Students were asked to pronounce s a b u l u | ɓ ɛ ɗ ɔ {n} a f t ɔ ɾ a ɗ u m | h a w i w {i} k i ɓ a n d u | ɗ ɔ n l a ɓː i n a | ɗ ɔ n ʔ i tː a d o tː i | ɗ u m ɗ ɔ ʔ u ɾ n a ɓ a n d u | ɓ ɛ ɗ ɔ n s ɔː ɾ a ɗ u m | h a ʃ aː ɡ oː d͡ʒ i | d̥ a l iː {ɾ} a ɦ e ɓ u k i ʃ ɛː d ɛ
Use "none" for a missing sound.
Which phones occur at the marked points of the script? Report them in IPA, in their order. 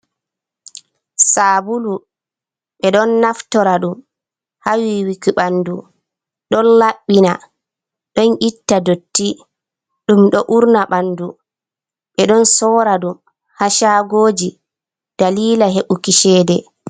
nː, i, l

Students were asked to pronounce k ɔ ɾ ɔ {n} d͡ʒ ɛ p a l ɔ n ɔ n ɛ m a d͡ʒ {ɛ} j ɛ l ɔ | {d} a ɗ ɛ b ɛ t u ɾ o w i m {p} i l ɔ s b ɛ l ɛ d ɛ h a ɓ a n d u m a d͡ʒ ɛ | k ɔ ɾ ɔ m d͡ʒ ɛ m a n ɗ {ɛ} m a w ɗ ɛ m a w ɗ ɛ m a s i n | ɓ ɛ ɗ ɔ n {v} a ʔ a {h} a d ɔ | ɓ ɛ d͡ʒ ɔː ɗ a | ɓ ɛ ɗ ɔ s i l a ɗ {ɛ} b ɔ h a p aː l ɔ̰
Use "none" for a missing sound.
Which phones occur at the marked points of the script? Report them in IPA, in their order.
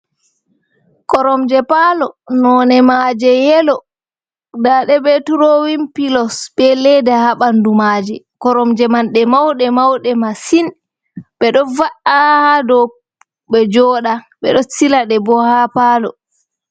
m, ɛ, d, p, ɛ, v, h, ɛ

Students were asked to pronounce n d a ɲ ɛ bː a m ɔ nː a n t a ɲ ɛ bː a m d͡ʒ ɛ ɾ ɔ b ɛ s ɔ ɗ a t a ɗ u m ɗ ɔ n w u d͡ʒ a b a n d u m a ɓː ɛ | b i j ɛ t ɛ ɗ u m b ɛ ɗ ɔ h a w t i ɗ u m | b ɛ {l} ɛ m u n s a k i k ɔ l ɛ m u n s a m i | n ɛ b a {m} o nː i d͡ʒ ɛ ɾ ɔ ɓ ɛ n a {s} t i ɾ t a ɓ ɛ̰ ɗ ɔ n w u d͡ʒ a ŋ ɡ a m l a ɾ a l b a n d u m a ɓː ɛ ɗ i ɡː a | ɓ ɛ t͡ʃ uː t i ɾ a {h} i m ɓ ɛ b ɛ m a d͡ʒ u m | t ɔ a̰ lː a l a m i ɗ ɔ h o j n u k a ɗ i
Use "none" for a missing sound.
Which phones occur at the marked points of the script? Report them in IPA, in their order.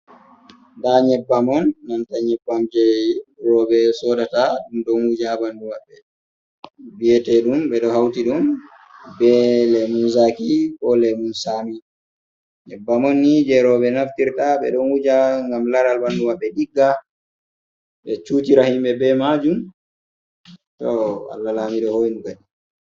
l, m, f, h

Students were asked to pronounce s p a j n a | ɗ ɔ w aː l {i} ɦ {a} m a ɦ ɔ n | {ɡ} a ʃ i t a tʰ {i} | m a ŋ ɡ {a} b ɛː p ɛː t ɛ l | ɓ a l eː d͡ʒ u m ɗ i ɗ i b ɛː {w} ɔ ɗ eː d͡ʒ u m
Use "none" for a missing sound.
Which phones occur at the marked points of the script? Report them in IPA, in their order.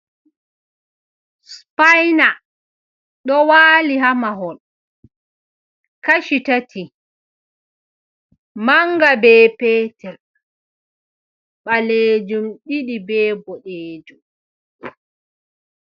i, a, k, i, a, b

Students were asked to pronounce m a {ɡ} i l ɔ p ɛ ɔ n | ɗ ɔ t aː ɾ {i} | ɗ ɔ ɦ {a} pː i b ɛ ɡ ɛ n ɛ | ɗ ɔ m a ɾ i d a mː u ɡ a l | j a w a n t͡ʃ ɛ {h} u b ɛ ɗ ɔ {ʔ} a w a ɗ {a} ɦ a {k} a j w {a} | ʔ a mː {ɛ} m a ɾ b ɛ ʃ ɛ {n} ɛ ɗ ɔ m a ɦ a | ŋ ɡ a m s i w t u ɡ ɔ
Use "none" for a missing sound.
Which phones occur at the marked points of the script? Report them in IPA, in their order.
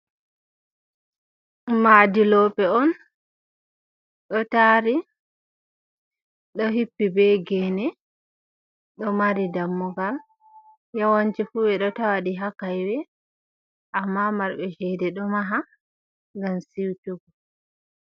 d, i, i, f, t, i, k, ɛ, a, d

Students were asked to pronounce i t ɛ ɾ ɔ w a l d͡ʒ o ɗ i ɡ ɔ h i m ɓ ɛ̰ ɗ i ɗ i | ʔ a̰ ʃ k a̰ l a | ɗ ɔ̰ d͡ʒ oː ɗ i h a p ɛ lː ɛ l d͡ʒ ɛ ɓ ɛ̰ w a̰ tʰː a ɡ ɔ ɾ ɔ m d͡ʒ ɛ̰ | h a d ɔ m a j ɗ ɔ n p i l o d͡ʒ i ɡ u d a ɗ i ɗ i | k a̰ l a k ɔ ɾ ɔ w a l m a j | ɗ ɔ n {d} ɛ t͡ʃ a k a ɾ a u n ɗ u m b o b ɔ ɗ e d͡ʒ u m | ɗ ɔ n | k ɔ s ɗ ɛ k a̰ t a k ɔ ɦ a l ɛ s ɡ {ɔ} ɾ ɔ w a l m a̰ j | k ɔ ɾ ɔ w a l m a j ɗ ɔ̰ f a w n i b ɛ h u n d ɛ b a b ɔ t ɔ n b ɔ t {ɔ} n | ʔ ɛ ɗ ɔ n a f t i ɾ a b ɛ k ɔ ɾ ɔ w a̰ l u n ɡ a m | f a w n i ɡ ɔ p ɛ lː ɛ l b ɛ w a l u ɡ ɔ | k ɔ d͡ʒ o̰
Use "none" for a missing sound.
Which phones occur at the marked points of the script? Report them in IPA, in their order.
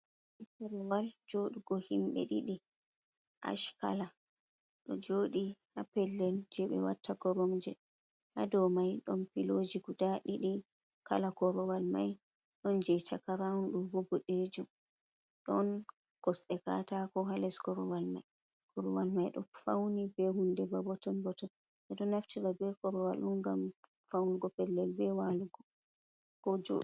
d͡ʒ, ɔ, ɔ

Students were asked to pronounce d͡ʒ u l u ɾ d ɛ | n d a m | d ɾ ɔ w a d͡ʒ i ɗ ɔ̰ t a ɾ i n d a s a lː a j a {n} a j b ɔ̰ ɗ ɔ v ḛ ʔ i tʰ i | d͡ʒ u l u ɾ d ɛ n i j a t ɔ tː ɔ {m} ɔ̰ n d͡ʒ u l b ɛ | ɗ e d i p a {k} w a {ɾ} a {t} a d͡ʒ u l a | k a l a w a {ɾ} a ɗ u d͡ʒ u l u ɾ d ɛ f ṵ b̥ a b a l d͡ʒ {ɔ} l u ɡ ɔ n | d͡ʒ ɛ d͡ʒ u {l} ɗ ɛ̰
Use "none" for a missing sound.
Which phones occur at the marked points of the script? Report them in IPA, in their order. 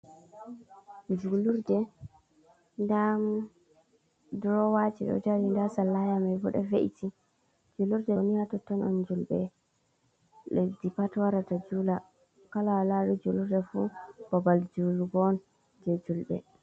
m, n, t, ɾ, t, l, u, l

